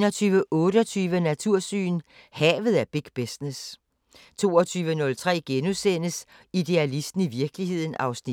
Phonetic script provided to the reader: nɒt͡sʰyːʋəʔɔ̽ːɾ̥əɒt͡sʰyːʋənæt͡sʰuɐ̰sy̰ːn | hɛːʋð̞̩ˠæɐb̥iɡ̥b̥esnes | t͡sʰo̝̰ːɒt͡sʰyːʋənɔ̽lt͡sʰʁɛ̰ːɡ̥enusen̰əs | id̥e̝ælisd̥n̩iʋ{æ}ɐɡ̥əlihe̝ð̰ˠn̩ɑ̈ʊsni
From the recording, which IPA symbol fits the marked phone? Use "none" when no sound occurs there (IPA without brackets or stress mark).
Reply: i